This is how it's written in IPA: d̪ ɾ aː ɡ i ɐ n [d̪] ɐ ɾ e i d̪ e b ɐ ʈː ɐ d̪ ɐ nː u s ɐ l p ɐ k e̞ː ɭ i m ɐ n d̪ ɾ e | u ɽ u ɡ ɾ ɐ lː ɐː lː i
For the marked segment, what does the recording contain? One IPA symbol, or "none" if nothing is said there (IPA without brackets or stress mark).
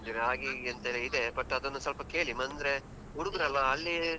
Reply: t̪